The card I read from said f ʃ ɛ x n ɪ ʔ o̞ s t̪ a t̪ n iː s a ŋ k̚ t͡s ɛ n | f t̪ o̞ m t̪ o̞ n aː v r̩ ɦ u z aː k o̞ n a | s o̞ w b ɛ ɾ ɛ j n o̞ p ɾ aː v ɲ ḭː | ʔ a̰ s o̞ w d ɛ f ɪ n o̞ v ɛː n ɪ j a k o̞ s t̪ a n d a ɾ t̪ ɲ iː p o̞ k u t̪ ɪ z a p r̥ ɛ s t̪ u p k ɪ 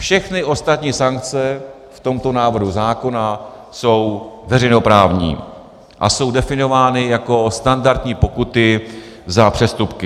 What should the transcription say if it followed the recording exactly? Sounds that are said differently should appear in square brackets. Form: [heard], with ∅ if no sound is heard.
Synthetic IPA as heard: f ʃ ɛ x n ɪ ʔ o̞ s t̪ a t̪ [ɲ] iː s a ŋ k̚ t͡s ɛ [∅] | f t̪ o̞ m t̪ o̞ n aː v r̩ ɦ u z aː k o̞ n a | s o̞ w [v] ɛ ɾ ɛ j n o̞ p ɾ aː v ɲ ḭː | ʔ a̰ s o̞ w d ɛ f ɪ n o̞ v [aː] n ɪ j a k o̞ s t̪ a n d a ɾ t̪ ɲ iː p o̞ k u t̪ ɪ z a p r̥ ɛ s t̪ u p k ɪ